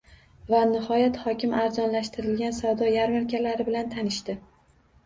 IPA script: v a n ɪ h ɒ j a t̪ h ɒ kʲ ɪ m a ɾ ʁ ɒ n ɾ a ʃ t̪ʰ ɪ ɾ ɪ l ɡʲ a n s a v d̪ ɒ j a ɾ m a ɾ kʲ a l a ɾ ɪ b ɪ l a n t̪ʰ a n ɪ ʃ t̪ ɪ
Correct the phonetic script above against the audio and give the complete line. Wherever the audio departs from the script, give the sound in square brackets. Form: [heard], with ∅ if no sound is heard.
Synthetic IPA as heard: v a n ɪ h ɒ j a t̪ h ɒ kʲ ɪ m a ɾ [z] ɒ n [l] a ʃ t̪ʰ ɪ ɾ ɪ l ɡʲ a n s a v d̪ ɒ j a ɾ m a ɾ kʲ a l a ɾ ɪ b ɪ l a n t̪ʰ a n ɪ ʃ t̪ ɪ